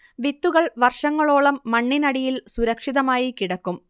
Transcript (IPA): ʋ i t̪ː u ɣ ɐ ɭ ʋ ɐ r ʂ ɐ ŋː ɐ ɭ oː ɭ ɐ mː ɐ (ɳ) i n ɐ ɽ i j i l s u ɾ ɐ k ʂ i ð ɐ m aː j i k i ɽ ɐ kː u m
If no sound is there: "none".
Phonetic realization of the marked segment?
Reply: ɳː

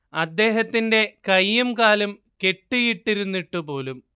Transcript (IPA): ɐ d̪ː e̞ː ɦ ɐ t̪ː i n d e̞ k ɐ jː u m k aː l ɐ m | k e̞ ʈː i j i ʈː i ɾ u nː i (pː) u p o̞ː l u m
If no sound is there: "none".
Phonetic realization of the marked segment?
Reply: ʈː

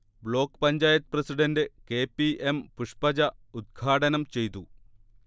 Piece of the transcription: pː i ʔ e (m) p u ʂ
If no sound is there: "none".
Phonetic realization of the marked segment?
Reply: m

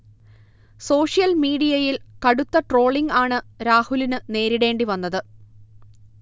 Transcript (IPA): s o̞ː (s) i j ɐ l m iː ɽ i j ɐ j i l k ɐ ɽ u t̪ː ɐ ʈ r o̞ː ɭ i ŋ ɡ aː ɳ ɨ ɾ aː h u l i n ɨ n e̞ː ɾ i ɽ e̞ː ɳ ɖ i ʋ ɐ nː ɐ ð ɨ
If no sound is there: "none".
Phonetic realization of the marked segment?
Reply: ʂ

